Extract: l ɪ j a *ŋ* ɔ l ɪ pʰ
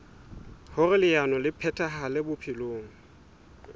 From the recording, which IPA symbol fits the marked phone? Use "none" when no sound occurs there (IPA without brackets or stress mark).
n